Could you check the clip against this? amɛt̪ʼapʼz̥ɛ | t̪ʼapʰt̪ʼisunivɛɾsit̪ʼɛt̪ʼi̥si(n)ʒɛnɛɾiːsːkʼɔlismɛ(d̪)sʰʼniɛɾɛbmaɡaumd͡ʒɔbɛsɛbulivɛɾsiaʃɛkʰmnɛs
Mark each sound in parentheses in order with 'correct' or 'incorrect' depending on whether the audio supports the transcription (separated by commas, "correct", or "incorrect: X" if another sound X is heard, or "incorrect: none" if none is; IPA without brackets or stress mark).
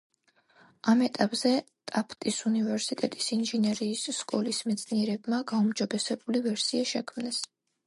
correct, incorrect: t̪